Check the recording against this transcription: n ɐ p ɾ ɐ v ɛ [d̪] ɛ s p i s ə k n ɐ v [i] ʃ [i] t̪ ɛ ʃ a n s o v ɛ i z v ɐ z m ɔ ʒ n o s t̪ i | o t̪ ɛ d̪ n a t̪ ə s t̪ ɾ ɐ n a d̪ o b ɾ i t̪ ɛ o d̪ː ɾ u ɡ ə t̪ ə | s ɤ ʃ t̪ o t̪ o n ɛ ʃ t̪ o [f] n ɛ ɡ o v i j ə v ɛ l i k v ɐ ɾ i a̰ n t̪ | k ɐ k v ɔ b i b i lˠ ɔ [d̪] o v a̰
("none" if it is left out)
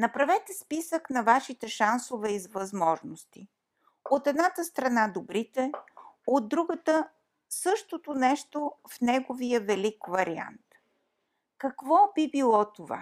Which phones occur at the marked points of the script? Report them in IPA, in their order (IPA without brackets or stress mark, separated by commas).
t̪, a, i, f, t̪